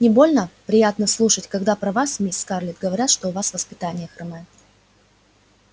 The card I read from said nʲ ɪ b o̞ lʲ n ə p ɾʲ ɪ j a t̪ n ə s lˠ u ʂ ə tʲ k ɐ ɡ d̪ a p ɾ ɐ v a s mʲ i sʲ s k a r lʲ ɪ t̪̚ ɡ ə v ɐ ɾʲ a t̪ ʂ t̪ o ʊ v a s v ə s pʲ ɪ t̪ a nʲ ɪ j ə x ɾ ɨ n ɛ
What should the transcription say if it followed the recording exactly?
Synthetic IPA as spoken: nʲ ɪ b o̞ lʲ n ə p ɾʲ ɪ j a t̪ n ə s lˠ u ʂ ə tʲ k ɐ ɡ d̪ a p ɾ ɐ v a s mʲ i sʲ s k a r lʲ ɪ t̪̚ ɡ ə v ɐ ɾʲ a t̪ ʂ t̪ o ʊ v a s v ə s pʲ ɪ t̪ a nʲ ɪ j ə x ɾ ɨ m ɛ